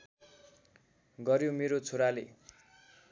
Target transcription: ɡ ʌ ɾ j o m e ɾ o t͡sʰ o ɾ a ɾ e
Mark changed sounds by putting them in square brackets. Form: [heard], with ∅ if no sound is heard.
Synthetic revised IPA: ɡ ʌ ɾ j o m e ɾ o t͡sʰ o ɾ a [l] e